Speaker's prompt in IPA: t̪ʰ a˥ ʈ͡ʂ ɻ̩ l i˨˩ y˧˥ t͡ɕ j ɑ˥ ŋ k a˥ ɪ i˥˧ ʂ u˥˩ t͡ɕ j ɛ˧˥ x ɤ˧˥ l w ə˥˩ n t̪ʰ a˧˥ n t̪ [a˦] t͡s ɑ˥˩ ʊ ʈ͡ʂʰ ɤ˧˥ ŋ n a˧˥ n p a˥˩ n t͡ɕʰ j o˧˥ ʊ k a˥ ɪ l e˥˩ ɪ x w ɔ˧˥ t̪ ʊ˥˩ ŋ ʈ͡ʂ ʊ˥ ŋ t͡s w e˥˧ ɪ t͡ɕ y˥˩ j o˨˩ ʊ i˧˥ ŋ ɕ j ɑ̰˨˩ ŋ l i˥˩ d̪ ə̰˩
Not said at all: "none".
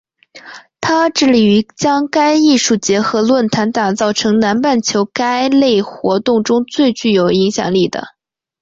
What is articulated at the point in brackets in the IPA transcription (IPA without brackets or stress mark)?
a˨˩